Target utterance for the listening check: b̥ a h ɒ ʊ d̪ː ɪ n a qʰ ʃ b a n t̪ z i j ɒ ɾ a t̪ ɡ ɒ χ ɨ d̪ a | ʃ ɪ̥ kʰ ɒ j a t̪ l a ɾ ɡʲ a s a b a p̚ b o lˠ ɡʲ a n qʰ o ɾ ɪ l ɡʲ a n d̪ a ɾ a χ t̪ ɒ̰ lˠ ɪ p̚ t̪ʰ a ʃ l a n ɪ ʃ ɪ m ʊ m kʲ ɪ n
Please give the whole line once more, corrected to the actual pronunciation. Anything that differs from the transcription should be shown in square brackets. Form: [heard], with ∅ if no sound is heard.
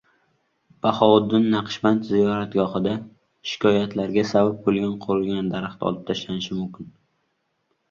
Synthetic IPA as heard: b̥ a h ɒ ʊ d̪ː ɪ [nː] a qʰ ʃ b a n t̪ z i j ɒ ɾ a t̪ ɡ ɒ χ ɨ d̪ a | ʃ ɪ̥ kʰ ɒ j a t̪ l a ɾ ɡʲ a s a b a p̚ b o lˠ ɡʲ a n qʰ o ɾ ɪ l ɡʲ a n d̪ a ɾ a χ t̪ ɒ̰ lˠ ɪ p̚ t̪ʰ a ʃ l a n ɪ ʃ ɪ m ʊ m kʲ ɪ n